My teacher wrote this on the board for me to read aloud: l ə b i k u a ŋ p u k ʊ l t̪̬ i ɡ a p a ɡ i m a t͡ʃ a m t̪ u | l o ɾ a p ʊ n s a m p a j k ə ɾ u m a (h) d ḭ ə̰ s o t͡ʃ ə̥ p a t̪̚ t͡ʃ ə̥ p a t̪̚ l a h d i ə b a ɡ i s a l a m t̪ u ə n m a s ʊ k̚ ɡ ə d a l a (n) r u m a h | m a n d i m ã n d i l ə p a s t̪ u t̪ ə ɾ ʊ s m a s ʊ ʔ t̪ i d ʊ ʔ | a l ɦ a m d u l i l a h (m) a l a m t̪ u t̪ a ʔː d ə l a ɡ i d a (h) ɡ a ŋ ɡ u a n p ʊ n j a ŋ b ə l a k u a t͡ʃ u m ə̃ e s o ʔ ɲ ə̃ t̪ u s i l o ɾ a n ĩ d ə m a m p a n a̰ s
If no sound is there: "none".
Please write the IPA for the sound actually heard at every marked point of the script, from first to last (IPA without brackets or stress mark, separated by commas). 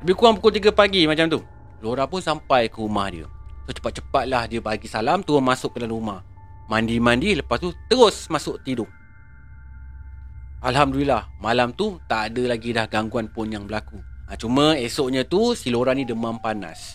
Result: h, n, m, h